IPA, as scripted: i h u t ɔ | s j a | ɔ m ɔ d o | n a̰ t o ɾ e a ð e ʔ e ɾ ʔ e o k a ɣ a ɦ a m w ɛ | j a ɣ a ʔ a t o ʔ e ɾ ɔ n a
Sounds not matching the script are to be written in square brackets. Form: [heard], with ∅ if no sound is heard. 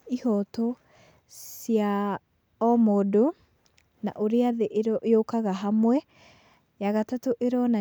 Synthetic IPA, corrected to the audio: i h [ɔ] t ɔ | s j a | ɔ m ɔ d o | n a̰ [ʔ] o ɾ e a ð e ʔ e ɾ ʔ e o k a ɣ a ɦ a m w ɛ | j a ɣ a [t] a t o ʔ e ɾ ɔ n a